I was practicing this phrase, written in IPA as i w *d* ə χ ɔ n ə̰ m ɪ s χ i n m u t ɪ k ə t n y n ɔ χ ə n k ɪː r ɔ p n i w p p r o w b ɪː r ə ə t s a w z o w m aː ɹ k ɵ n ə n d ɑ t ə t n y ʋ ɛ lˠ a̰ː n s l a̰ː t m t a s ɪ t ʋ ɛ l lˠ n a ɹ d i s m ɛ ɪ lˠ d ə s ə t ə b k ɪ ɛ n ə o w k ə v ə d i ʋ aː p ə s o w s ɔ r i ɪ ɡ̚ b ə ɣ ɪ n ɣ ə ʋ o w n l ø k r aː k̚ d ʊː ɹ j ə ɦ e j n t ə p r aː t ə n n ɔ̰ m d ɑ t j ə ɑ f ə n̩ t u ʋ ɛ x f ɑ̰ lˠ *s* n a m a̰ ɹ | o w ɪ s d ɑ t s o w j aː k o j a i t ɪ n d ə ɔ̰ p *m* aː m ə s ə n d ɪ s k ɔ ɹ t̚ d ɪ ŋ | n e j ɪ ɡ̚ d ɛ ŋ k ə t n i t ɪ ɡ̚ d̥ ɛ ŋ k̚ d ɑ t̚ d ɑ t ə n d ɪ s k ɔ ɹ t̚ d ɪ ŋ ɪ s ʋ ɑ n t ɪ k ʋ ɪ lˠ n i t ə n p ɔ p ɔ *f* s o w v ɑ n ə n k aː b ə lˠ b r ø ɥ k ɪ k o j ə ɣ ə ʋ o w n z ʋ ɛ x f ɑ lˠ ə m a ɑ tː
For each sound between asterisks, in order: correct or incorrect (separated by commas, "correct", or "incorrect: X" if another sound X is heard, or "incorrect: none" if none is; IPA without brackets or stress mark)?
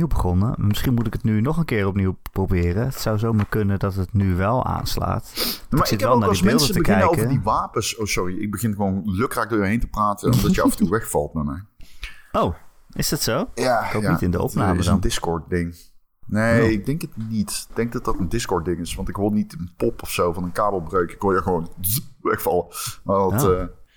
incorrect: b, incorrect: t, incorrect: n, correct